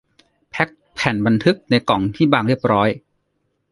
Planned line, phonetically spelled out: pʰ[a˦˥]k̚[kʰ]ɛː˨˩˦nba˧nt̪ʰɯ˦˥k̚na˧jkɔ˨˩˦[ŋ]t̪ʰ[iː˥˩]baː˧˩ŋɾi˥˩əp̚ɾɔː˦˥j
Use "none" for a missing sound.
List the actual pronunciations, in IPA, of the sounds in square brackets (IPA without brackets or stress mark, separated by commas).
ɛ˦˥, pʰ, ŋ, iː˥˩